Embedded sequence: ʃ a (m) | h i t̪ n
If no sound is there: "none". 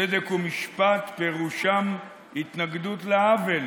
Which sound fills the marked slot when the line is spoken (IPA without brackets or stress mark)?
m